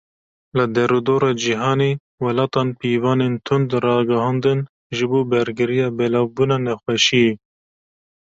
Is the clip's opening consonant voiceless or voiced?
voiced